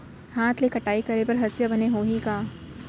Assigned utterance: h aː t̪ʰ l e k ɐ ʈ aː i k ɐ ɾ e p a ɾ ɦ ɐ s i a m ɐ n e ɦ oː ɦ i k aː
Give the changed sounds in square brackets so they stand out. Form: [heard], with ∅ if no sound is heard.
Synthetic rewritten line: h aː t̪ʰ l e k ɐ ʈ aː i k ɐ ɾ e p [ɐ] ɾ ɦ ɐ s [j] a [b] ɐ n e ɦ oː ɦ i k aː